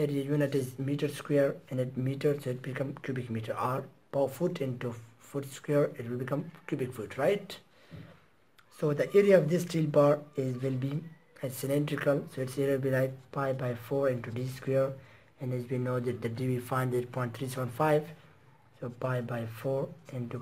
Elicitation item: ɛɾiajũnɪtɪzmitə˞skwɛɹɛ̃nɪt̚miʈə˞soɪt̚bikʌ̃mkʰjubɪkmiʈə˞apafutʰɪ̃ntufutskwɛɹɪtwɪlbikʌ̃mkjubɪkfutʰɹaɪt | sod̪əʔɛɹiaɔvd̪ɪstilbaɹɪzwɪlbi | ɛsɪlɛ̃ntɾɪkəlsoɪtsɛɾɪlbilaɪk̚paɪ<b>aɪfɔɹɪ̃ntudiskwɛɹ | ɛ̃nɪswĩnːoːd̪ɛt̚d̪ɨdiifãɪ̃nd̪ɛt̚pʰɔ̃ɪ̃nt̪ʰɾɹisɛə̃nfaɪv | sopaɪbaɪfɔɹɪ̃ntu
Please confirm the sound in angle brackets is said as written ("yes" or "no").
yes